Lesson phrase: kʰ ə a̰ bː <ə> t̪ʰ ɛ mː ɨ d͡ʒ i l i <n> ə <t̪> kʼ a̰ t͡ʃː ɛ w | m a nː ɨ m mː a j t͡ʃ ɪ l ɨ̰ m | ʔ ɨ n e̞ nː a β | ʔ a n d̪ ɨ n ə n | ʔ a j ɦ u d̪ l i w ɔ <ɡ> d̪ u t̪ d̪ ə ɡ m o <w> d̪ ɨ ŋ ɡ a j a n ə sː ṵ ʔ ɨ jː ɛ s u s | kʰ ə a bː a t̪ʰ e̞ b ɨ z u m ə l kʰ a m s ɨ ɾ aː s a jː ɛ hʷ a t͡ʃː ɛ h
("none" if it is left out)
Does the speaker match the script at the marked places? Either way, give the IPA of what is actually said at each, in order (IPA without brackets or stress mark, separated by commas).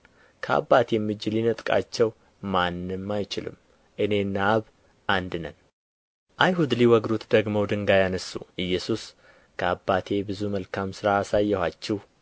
a, n, t̪ʼ, ɡ, w